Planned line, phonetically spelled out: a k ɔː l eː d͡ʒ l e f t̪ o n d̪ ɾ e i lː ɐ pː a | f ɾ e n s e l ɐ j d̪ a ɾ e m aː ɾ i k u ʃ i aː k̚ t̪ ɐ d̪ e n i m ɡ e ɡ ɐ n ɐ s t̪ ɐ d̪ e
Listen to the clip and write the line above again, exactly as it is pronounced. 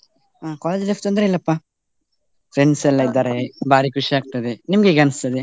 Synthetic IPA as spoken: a k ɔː l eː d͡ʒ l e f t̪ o n d̪ ɾ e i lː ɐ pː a | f ɾ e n s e l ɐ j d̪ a ɾ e b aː ɾ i k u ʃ i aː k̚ t̪ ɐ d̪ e n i m ɡ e ɡ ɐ n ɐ s t̪ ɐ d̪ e